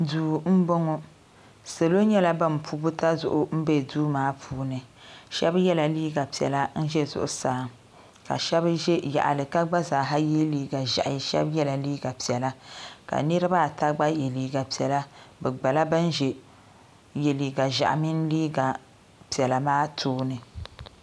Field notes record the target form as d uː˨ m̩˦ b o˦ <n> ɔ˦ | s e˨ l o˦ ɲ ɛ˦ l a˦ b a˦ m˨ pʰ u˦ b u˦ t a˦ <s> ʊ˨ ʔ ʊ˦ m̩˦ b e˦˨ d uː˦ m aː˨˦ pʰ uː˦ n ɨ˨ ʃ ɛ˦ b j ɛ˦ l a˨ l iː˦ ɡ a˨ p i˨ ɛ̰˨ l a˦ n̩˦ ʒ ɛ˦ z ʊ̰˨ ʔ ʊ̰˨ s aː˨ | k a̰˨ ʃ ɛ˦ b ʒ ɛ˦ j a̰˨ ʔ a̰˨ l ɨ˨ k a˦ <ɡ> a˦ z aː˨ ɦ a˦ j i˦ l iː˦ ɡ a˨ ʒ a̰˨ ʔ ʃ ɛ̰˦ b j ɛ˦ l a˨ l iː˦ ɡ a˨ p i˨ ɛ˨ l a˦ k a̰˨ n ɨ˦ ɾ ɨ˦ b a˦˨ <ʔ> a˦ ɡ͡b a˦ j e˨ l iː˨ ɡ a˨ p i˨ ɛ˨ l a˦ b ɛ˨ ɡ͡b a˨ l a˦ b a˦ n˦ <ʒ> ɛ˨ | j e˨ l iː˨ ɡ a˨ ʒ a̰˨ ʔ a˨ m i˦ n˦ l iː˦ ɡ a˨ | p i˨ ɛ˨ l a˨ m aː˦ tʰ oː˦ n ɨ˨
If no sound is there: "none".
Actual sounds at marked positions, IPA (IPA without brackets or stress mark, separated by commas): ŋ, z, ɡ͡b, t, ʒ